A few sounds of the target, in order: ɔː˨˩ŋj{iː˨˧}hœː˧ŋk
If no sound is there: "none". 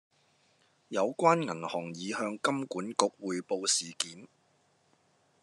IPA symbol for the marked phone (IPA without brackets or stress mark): iː˨˧